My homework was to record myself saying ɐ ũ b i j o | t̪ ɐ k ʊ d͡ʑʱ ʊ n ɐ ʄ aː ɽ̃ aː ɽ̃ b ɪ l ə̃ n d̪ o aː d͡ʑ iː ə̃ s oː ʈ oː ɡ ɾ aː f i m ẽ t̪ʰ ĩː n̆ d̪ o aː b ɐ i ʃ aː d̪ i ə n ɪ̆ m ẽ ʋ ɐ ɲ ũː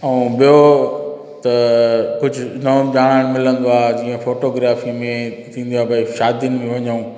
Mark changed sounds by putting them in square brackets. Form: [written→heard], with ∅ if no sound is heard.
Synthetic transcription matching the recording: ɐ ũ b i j o | t̪ ɐ k ʊ d͡ʑʱ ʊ n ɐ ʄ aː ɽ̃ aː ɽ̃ [b→m] ɪ l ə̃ n d̪ o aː d͡ʑ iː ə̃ [s→f] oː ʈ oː ɡ ɾ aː f i m ẽ t̪ʰ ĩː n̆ d̪ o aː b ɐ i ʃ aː d̪ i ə n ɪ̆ m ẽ ʋ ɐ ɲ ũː